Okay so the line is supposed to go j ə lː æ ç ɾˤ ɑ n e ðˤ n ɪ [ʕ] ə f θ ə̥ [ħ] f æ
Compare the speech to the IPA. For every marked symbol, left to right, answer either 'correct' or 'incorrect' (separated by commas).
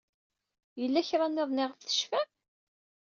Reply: incorrect, incorrect